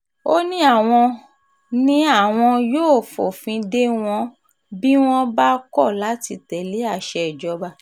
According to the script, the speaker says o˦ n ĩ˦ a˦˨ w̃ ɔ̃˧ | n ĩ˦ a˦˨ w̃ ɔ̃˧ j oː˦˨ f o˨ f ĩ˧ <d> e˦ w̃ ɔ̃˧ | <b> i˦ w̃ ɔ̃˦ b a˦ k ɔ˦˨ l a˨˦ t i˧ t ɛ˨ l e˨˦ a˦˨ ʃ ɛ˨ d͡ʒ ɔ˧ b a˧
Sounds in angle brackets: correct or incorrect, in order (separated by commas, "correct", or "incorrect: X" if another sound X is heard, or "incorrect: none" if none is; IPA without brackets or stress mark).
correct, correct